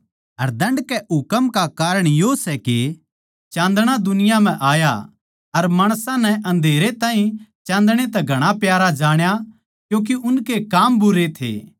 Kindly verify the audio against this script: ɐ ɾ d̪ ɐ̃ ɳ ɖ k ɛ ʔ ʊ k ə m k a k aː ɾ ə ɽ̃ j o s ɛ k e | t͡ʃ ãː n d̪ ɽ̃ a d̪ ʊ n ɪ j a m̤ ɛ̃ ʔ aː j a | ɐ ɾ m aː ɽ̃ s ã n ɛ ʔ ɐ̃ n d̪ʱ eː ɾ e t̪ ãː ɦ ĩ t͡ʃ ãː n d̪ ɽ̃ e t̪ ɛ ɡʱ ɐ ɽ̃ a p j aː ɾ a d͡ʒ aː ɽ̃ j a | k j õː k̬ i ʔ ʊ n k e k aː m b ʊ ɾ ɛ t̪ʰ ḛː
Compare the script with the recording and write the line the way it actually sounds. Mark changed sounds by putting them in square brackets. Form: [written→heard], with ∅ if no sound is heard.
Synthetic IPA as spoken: ɐ ɾ d̪ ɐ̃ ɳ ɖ k ɛ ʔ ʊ k ə m k a k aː ɾ ə ɽ̃ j o s ɛ k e | t͡ʃ ãː n d̪ ɽ̃ a d̪ ʊ n ɪ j a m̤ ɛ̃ ʔ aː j a | ɐ ɾ m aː ɽ̃ s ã n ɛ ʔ ɐ̃ n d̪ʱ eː ɾ e t̪ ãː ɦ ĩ t͡ʃ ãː n d̪ ɽ̃ e t̪ ɛ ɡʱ ɐ ɽ̃ a p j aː ɾ a d͡ʒ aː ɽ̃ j a | k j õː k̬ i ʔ ʊ n k e k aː m b ʊ ɾ [ɛ→e] t̪ʰ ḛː

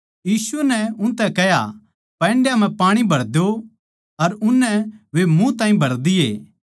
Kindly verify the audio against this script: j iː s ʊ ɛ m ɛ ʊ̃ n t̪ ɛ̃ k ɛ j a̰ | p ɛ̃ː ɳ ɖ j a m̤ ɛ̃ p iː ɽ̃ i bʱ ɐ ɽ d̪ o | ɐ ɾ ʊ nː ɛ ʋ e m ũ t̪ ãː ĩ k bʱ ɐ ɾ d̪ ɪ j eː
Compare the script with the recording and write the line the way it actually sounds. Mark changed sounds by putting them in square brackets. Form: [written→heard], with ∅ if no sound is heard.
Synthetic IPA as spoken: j iː s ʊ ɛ [m→n] ɛ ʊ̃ n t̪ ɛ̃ k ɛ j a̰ | p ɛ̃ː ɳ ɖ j a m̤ ɛ̃ p [iː→aː] ɽ̃ i bʱ ɐ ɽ d̪ o | ɐ ɾ ʊ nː ɛ ʋ e m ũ t̪ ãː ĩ [k→∅] bʱ ɐ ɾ d̪ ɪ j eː

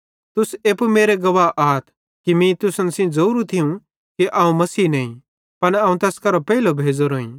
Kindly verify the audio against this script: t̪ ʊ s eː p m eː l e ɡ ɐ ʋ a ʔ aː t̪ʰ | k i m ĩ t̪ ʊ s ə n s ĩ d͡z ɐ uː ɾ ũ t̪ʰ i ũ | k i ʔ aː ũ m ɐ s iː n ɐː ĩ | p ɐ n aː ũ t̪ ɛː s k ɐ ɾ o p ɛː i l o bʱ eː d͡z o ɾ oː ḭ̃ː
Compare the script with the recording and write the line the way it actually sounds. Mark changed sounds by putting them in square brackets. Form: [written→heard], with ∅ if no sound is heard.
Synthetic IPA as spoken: t̪ ʊ s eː p m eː [l→ɾ] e ɡ ɐ ʋ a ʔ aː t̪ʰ | k i m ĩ t̪ ʊ s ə n s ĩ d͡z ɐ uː ɾ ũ t̪ʰ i ũ | k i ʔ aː ũ m ɐ s iː n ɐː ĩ | p ɐ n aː ũ t̪ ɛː s k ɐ ɾ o p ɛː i l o bʱ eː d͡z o ɾ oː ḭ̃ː

